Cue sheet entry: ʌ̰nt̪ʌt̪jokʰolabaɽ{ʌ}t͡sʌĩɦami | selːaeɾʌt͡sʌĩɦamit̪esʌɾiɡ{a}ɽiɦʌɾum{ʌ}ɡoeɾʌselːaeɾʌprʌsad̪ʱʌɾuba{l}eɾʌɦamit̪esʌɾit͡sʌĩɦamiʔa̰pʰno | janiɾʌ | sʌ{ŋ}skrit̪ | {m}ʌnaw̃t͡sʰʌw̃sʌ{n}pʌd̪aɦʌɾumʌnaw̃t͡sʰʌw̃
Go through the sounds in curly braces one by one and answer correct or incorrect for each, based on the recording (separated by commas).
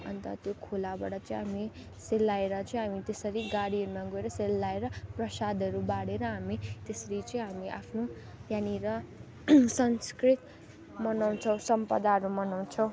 correct, correct, incorrect, incorrect, incorrect, correct, incorrect